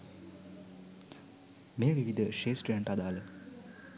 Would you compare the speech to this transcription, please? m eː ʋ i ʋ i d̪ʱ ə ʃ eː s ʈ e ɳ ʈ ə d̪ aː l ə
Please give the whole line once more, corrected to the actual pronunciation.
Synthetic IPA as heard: m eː ʋ i ʋ i d̪ʱ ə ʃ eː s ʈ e ɳ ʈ a d̪ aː l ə